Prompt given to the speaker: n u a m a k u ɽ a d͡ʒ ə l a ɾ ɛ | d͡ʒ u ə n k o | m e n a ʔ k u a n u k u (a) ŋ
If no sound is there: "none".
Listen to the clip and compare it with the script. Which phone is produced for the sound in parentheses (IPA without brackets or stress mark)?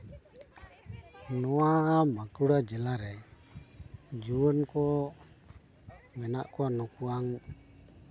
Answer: a